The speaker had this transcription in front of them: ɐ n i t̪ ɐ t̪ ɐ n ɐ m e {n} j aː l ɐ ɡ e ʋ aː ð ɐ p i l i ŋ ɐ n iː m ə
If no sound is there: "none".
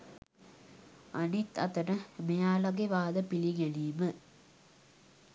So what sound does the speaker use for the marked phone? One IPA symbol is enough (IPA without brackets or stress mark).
none